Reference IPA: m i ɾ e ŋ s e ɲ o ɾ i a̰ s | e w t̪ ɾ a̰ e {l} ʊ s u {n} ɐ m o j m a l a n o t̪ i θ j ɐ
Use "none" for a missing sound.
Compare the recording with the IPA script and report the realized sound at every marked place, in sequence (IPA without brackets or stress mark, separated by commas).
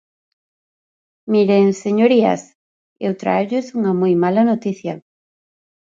ʎ, ŋ